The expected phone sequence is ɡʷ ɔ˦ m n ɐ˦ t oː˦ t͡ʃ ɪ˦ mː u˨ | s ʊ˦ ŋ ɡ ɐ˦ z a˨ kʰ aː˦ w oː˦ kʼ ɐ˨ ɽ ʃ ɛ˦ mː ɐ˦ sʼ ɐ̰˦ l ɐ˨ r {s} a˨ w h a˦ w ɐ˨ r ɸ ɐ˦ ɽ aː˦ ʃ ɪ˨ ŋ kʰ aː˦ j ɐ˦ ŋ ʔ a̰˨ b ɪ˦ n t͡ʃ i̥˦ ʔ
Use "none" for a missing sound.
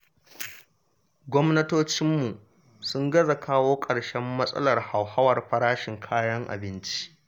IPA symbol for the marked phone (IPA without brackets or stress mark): h